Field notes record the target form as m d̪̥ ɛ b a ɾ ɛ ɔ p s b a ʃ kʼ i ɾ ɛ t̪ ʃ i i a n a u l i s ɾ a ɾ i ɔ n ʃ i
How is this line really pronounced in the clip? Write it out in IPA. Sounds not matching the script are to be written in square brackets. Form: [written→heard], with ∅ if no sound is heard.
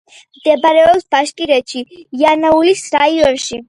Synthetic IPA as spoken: m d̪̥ ɛ b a ɾ ɛ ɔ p s b a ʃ kʼ i ɾ ɛ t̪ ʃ i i a n a u l i s ɾ a [ɾ→∅] i ɔ n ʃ i